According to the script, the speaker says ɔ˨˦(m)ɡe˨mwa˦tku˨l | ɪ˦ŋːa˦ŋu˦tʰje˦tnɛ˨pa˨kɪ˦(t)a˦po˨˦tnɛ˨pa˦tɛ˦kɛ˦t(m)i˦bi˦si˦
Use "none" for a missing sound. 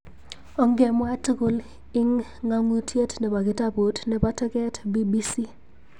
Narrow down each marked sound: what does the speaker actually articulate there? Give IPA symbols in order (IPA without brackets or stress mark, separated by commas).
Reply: ŋ, t, b